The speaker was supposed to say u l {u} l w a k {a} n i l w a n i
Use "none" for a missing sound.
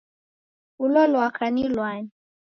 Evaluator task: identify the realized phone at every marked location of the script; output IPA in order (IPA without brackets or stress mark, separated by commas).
ɔ, a